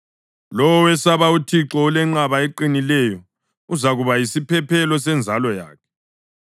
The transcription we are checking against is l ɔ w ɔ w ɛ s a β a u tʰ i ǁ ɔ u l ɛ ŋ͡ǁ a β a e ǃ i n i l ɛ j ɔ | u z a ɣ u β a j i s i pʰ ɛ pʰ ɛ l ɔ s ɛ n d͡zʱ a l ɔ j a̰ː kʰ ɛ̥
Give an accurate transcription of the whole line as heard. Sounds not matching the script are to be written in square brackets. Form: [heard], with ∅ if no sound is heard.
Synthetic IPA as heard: l ɔ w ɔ w ɛ s a β a u tʰ i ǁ ɔ u l ɛ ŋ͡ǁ a β a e ǃ i n i l ɛ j ɔ | u z a ɣ u β a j i s i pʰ ɛ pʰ ɛ l ɔ s ɛ n d͡zʱ a l ɔ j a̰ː kʰ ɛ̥